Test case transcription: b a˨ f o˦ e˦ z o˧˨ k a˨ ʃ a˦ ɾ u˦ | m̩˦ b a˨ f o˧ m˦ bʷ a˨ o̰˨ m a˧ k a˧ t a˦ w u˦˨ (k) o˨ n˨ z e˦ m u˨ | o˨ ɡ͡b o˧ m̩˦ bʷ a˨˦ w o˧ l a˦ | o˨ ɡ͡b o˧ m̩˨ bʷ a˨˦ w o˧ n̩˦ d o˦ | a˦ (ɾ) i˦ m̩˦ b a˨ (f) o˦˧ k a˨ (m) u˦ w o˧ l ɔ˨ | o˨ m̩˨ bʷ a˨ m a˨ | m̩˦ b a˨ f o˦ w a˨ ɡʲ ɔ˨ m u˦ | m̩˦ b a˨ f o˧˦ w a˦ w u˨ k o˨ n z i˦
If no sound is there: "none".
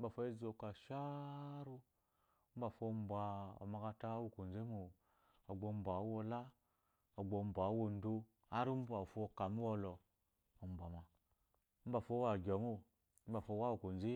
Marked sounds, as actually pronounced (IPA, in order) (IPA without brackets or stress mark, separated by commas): k, ɾ, f, m